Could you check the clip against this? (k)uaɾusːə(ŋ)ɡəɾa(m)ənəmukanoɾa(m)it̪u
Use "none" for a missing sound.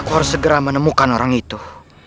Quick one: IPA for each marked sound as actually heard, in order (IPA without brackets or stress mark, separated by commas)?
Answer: k, none, m, ŋ